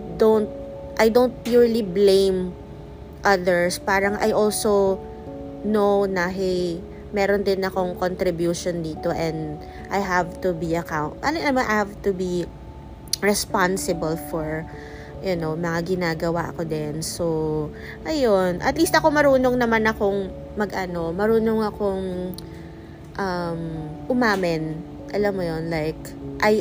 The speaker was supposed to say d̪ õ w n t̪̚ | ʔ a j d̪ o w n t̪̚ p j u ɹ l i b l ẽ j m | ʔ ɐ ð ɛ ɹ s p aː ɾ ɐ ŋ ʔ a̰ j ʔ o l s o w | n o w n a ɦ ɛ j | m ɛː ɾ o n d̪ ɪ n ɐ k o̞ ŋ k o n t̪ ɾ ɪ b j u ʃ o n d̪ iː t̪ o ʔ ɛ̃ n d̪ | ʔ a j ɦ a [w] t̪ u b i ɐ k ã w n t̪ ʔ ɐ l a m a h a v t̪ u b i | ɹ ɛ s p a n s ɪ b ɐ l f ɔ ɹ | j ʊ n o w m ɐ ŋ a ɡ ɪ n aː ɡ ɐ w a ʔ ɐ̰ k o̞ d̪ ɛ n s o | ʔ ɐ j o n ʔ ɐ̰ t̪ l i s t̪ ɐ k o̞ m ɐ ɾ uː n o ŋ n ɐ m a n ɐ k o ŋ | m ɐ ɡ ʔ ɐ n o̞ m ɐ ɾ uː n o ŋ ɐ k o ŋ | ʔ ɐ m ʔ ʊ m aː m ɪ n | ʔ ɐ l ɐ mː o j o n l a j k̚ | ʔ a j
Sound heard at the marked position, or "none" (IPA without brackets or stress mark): v